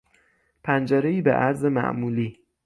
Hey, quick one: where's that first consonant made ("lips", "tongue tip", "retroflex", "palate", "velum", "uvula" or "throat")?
lips